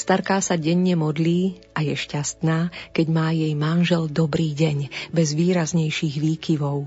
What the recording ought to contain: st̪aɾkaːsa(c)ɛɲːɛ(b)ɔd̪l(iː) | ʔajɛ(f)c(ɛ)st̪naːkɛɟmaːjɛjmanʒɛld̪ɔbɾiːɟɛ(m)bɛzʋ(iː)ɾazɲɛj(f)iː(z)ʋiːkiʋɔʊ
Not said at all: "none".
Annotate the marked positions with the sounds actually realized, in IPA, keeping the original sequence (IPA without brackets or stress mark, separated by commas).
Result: ɟ, m, iː, ʃ, a, ɲ, iː, ʃ, ɣ